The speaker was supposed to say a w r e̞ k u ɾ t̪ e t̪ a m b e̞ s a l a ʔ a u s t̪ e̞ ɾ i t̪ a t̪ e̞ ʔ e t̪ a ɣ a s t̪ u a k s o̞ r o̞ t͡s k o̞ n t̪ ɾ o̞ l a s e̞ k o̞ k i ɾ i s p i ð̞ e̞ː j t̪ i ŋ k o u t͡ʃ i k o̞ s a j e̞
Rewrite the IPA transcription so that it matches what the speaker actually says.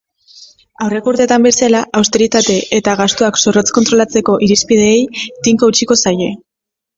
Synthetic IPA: a w r e̞ k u ɾ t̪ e t̪ a m b e̞ s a l a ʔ a w s t̪ e̞ ɾ i t̪ a t̪ e̞ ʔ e t̪ a ɣ a s t̪ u a k s o̞ r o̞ t͡s k o̞ n t̪ ɾ o̞ l a t͡s e̞ k o̞ ʔ i ɾ i s p i ð̞ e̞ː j t̪ i ŋ k o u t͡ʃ i k o̞ s a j e̞